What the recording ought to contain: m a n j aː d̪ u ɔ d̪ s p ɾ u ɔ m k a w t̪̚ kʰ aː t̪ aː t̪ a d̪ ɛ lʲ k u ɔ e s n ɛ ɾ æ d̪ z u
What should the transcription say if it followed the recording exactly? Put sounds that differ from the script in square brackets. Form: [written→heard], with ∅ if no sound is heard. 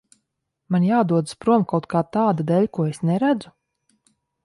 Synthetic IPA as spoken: m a n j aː d̪ u ɔ d̪ s p ɾ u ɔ m k a w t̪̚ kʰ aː t̪ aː [t̪→d̪] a d̪ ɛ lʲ k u ɔ e s n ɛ ɾ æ d̪ z u